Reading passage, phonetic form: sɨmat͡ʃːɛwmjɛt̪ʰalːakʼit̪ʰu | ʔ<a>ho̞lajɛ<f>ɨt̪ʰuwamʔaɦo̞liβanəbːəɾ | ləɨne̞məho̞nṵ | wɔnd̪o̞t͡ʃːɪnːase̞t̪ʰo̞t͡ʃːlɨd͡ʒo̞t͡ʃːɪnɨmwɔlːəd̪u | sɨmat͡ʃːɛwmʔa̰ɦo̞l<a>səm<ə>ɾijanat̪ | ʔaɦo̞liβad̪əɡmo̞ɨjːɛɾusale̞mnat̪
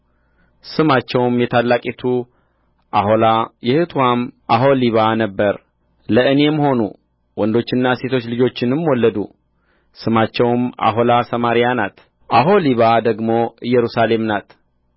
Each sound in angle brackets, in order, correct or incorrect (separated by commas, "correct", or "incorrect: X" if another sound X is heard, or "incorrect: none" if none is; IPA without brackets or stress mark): correct, incorrect: h, correct, incorrect: a